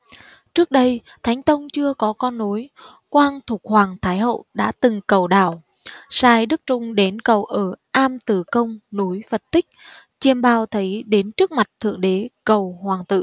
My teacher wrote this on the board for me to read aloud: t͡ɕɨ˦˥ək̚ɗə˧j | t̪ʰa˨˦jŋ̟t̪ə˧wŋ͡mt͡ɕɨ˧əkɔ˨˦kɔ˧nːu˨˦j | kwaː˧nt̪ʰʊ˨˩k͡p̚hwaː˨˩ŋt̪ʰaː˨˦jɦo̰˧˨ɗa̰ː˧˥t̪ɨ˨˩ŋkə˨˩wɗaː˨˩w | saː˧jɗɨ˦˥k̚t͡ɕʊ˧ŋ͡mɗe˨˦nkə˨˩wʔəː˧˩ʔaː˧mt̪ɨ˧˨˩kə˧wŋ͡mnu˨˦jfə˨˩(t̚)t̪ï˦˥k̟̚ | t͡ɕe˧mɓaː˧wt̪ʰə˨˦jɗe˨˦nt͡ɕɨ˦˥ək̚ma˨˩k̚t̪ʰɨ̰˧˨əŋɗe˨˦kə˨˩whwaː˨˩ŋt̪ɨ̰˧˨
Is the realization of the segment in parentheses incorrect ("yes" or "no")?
no